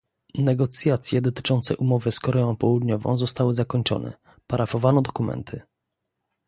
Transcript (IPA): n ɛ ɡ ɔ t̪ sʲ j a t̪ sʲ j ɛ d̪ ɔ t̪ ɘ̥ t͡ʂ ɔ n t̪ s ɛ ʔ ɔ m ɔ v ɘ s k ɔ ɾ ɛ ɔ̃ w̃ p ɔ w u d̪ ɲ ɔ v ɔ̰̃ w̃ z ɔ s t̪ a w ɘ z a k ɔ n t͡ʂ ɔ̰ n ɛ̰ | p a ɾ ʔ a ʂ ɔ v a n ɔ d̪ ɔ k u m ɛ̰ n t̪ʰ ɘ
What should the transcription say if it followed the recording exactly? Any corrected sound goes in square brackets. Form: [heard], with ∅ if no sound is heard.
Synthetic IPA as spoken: n ɛ ɡ ɔ t̪ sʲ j a t̪ sʲ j ɛ d̪ ɔ t̪ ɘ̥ t͡ʂ ɔ n t̪ s ɛ ʔ [u] m ɔ v ɘ s k ɔ ɾ ɛ ɔ̃ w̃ p ɔ w u d̪ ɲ ɔ v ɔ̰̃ w̃ z ɔ s t̪ a w ɘ z a k ɔ [ɲ] t͡ʂ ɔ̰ n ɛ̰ | p a ɾ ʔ a [f] ɔ v a n ɔ d̪ ɔ k u m ɛ̰ n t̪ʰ ɘ